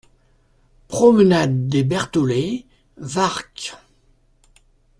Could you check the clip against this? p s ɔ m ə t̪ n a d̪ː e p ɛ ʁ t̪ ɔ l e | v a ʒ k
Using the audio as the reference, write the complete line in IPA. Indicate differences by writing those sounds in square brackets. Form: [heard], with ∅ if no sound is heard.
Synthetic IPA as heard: p [χ] ɔ m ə [∅] n a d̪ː e [b] ɛ ʁ t̪ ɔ l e | v a [ʁ] k

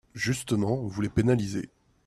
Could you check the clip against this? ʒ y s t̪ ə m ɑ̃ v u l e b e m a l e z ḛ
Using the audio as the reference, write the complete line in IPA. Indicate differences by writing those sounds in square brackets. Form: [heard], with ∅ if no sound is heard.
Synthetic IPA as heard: ʒ y s t̪ ə m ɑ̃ v u l e [p] e [n] a l [i] z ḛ

